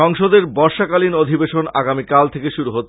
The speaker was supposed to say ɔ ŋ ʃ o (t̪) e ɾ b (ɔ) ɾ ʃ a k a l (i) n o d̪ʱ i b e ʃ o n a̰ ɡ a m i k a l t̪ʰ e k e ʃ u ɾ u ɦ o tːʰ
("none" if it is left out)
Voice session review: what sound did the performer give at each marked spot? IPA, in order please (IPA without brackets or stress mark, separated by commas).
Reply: d̪, ɔ, i